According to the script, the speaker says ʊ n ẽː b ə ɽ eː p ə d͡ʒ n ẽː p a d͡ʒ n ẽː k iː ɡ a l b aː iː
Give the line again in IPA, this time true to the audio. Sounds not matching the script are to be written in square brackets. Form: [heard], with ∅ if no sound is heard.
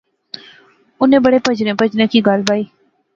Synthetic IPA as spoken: ʊ n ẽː b ə ɽ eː p ə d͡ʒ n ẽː p [ə] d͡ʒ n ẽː k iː ɡ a l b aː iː